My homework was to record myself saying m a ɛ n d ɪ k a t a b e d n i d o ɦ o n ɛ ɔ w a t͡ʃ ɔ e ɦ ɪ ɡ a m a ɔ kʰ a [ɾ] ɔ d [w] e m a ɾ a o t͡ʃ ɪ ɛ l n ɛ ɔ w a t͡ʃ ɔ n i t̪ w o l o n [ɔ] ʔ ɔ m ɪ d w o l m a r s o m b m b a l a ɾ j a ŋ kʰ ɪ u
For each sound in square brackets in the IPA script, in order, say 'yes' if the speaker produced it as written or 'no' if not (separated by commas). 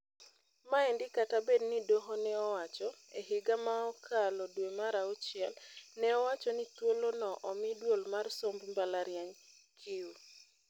no, yes, yes